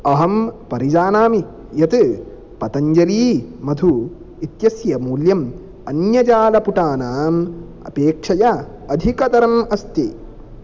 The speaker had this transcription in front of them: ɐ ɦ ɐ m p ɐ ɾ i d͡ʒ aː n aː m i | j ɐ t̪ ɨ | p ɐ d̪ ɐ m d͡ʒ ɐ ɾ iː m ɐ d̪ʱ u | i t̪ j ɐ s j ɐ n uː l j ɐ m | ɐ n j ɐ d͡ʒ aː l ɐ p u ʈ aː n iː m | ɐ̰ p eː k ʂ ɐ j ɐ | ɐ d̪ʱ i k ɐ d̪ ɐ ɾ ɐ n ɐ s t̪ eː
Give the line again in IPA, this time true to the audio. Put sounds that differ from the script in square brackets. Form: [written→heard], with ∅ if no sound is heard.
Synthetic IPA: ɐ ɦ ɐ m p ɐ ɾ i d͡ʒ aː n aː m i | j ɐ t̪ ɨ | p ɐ [d̪→t̪] ɐ [m→ɲ] d͡ʒ ɐ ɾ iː m ɐ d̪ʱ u | i t̪ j ɐ s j ɐ [n→m] uː l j ɐ m | ɐ n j ɐ d͡ʒ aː l ɐ p u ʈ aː n [iː→aː] m | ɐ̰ p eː k ʂ ɐ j ɐ | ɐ d̪ʱ i k ɐ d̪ ɐ ɾ ɐ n ɐ s t̪ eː